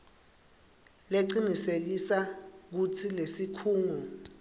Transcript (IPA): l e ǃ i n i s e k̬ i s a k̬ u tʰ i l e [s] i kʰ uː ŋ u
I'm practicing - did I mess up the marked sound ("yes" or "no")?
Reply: no